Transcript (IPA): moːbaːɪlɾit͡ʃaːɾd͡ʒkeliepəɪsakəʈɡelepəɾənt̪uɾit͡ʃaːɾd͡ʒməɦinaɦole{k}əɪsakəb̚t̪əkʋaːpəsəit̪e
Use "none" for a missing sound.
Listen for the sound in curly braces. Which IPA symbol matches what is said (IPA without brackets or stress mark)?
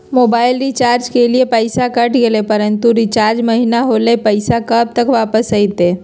p